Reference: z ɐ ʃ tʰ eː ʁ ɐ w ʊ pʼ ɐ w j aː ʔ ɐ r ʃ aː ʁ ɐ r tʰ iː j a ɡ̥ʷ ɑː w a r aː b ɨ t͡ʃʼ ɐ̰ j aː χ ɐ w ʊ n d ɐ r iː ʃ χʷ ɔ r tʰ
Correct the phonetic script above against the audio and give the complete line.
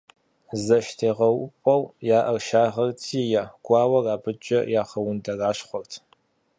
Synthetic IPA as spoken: z ɐ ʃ tʰ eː ʁ ɐ w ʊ pʼ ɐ w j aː ʔ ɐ r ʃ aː ʁ ɐ r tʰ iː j a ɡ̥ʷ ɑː w ɐ r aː b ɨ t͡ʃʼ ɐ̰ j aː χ ɐ w ʊ n d ɐ r aː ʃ χʷ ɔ r tʰ